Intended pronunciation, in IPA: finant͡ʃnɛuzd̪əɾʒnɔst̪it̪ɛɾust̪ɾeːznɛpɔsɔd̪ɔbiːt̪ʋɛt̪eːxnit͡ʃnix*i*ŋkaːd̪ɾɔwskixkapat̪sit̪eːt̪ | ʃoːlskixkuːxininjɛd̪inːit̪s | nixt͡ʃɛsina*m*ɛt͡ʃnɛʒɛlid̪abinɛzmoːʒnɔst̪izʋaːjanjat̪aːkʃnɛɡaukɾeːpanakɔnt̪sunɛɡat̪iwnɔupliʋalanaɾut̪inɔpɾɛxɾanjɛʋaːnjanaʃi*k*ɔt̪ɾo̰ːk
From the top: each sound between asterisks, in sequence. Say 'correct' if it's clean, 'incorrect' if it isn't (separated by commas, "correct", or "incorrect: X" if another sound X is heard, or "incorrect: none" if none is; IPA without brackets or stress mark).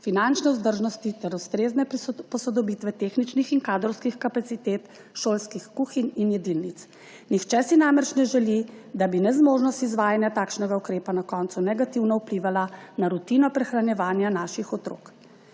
correct, correct, incorrect: x